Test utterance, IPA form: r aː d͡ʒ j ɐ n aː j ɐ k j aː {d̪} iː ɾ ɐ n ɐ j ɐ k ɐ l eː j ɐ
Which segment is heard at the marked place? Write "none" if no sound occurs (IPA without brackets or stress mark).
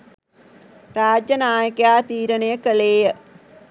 t̪